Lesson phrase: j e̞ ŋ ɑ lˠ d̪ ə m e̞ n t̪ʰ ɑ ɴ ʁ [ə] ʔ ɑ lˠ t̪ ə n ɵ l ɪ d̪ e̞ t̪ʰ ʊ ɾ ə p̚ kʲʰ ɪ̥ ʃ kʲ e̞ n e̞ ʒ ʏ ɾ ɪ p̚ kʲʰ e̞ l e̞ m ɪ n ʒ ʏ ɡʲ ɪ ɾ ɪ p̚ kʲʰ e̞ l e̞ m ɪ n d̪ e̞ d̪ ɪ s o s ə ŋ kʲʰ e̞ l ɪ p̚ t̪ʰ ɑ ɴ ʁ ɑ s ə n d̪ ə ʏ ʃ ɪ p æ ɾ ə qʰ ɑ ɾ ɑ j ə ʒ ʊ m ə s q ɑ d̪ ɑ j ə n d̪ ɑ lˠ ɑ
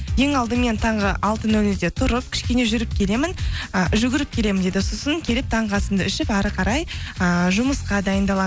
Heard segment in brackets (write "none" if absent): ə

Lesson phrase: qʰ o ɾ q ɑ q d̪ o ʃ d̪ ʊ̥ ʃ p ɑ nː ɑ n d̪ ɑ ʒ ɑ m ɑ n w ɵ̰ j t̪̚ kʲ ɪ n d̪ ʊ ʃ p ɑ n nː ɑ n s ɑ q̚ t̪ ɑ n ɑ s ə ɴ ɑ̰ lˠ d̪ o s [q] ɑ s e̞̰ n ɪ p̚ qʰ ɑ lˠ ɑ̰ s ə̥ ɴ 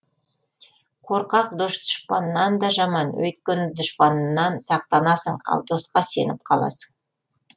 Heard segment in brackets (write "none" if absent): q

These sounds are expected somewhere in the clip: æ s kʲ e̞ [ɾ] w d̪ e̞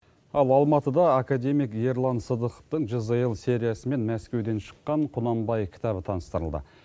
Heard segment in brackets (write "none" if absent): none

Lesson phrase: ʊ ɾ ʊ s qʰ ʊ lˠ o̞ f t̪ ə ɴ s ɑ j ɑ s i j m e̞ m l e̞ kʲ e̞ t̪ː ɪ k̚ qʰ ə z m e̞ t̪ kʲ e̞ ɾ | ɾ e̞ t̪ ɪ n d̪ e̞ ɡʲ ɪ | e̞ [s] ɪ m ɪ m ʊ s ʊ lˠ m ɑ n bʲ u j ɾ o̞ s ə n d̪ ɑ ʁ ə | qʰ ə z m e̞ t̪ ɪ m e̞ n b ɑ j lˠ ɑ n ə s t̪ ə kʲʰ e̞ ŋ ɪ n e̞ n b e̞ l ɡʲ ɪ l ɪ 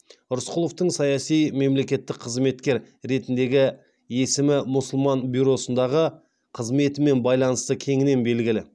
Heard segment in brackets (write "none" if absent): s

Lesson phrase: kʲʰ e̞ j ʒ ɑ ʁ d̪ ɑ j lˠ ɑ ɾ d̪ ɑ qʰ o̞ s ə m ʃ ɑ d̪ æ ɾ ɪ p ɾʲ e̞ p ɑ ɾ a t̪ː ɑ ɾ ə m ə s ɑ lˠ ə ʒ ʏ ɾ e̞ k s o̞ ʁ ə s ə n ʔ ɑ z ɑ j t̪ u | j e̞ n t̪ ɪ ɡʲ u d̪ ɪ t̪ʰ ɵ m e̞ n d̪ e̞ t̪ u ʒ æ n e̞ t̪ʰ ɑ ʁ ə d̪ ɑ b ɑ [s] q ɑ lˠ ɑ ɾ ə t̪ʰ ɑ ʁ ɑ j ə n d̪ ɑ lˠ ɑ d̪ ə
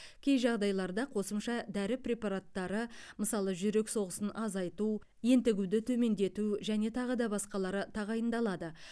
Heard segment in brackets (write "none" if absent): s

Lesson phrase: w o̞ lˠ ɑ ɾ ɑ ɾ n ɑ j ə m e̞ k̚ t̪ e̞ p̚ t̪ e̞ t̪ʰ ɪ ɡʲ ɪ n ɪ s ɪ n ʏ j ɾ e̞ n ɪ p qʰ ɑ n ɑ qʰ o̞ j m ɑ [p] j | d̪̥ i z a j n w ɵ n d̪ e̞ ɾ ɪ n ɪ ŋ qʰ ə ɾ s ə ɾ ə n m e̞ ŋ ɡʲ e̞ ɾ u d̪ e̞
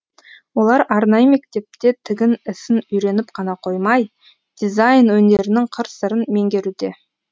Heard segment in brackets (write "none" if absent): none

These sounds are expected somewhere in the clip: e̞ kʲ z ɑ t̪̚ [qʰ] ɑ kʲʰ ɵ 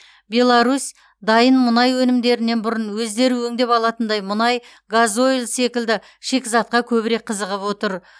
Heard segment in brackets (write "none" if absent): q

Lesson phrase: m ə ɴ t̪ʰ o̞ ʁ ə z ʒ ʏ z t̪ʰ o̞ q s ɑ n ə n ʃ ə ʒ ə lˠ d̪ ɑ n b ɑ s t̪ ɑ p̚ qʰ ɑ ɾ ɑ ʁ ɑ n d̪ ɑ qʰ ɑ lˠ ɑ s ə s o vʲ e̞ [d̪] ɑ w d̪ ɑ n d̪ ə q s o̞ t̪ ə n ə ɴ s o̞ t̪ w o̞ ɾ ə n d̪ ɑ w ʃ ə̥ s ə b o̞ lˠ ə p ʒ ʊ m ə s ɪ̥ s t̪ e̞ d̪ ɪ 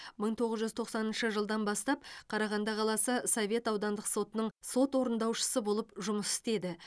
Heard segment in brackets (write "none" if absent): t̪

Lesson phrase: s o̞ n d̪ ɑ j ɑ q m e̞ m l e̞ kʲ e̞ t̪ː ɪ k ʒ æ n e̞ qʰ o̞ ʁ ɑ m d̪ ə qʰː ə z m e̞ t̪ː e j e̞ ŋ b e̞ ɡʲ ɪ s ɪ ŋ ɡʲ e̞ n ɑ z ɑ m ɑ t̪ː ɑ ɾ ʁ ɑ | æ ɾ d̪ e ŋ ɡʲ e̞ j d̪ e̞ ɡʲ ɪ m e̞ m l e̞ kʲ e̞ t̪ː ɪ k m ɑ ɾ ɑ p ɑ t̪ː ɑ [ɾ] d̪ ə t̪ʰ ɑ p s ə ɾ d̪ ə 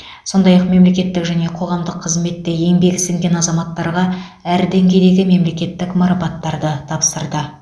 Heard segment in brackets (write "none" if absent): ɾ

